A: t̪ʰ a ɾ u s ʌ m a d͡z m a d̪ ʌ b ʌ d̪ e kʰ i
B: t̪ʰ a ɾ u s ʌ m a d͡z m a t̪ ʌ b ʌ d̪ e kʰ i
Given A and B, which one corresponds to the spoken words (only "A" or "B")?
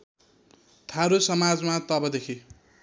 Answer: B